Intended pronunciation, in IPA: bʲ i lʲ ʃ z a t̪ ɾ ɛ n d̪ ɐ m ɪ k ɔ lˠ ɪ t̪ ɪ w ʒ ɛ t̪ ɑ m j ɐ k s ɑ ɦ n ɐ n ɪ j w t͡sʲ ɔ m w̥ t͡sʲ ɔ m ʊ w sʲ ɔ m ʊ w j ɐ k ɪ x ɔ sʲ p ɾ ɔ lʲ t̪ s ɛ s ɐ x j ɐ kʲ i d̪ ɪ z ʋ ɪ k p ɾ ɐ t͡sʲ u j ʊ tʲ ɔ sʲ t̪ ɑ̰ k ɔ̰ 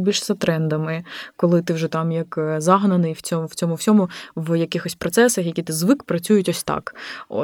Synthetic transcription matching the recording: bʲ i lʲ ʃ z ɐ t̪ ɾ ɛ n d̪ ɐ m ɪ k ɔ lˠ ɪ t̪ ɪ w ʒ ɛ t̪ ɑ m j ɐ k z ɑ ɦ n ɐ n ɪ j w t͡sʲ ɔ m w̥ t͡sʲ ɔ m ʊ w sʲ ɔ m ʊ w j ɐ k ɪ x ɔ sʲ p ɾ ɔ t̪ s ɛ s ɐ x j ɐ kʲ i t̪ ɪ z ʋ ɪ k p ɾ ɐ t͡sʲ u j ʊ tʲ ɔ sʲ t̪ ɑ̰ k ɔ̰